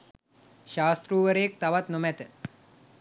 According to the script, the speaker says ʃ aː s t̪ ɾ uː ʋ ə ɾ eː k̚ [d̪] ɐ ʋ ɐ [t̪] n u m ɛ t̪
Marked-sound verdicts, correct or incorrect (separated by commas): incorrect, correct